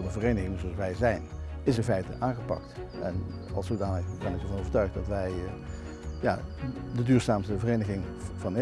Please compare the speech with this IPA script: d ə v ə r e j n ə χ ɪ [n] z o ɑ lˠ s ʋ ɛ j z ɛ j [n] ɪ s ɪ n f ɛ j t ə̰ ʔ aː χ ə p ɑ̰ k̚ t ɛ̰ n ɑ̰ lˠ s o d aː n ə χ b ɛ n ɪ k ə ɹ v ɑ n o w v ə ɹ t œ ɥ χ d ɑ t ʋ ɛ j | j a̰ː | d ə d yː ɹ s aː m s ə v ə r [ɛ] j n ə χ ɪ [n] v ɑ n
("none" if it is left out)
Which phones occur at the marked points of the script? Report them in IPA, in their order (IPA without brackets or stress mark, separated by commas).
ŋ, n, e, ŋ